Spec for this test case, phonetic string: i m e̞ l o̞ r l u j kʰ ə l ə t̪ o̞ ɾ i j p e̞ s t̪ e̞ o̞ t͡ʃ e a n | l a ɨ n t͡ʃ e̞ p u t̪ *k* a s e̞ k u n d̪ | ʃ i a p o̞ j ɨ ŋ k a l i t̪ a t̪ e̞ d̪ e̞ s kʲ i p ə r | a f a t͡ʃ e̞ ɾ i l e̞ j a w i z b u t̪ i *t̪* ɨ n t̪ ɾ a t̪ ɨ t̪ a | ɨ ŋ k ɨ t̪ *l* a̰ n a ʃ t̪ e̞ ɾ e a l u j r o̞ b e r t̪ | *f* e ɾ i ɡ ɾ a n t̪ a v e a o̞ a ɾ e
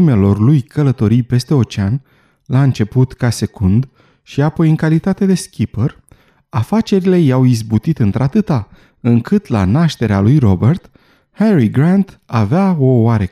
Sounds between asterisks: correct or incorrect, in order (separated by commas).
correct, correct, correct, incorrect